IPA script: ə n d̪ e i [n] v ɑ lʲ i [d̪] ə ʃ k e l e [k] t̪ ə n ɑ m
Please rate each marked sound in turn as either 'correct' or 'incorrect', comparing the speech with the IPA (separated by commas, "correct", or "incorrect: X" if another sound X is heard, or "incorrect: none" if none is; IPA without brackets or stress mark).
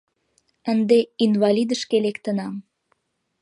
correct, correct, correct